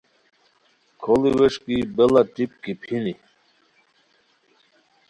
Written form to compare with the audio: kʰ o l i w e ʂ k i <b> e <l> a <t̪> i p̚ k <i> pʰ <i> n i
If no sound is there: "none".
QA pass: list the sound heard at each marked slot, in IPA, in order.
b, l, t̪, i, i

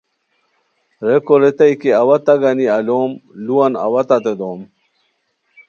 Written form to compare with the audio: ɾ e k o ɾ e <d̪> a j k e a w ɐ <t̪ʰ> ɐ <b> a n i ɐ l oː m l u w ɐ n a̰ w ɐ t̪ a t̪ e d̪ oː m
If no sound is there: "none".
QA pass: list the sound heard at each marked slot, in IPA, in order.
t̪, t̪, ɡ

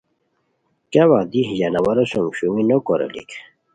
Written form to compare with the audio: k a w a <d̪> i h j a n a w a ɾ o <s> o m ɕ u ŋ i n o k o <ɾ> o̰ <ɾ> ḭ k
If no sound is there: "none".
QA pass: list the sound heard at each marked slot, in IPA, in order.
d̪, s, ɾ, l

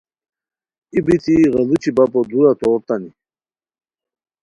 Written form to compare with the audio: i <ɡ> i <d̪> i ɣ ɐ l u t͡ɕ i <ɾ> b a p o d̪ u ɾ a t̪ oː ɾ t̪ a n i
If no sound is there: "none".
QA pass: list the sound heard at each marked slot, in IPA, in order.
b, t̪, none

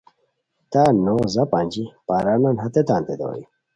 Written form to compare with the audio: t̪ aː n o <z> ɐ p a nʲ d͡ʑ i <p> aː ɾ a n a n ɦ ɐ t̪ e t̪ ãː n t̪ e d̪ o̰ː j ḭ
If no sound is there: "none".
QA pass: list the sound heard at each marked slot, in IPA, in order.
z, p

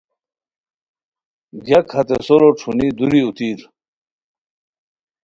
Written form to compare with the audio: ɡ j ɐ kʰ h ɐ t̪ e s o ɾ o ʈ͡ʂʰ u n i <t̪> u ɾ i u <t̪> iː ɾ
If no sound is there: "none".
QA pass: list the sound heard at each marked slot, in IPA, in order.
d̪, t̪

